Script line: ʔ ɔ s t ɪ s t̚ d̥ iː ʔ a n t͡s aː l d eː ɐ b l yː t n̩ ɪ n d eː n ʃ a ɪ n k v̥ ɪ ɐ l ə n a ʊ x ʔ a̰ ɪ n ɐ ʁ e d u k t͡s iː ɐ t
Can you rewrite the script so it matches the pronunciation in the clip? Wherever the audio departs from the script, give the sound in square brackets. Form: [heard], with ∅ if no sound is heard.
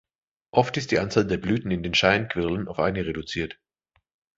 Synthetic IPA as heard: ʔ ɔ [f] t ɪ s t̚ d̥ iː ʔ a n t͡s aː l d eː ɐ b l yː t n̩ ɪ n d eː n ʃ a ɪ n k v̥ ɪ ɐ l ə n a ʊ [f] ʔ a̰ ɪ n [ə] ʁ e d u [∅] t͡s iː ɐ t